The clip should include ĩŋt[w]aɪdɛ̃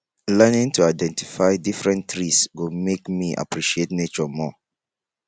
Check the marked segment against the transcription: incorrect: u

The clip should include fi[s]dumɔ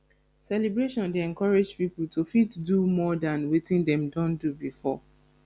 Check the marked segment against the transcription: incorrect: t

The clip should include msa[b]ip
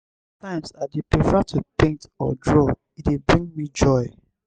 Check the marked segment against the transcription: incorrect: d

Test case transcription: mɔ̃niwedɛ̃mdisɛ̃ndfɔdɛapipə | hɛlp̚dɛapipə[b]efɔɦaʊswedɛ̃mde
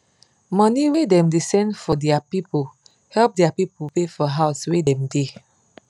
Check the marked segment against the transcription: incorrect: p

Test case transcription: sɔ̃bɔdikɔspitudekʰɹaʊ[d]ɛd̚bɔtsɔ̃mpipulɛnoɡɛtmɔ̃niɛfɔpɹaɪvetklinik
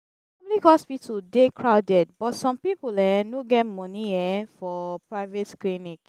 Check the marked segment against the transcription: correct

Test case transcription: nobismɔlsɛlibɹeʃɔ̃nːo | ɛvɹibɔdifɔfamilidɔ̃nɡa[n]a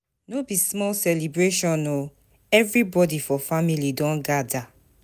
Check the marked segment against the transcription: incorrect: d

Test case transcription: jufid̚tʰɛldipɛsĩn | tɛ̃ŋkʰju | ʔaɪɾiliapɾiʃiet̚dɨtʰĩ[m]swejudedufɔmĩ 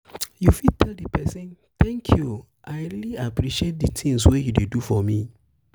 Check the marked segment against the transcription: incorrect: ŋ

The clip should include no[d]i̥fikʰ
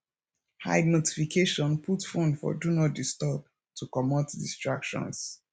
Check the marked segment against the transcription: incorrect: t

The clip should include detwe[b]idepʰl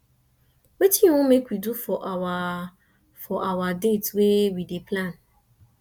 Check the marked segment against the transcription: incorrect: w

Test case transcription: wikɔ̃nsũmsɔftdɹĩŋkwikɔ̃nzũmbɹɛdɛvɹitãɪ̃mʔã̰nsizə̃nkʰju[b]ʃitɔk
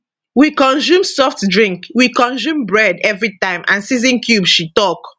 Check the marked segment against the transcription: correct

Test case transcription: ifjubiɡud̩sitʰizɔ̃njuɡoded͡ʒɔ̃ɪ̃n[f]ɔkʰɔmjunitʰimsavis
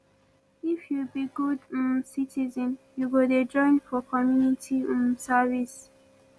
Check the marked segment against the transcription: correct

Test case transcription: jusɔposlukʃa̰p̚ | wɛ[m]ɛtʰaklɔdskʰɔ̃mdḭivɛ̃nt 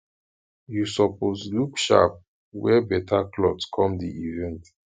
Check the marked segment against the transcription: incorrect: b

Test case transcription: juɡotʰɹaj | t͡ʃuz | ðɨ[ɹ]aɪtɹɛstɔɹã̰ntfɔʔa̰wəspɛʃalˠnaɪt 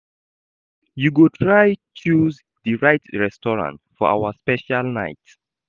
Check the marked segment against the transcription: correct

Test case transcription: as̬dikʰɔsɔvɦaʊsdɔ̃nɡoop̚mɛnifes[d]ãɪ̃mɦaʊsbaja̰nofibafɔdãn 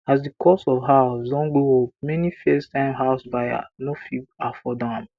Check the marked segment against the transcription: incorrect: t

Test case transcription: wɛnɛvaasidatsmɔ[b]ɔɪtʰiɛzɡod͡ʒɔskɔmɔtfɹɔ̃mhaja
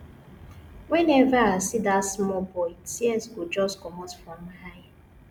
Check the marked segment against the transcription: correct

